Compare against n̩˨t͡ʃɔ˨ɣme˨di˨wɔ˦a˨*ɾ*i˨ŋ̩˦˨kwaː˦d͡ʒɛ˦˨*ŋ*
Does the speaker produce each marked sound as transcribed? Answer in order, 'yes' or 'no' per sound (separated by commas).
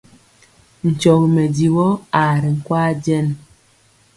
yes, no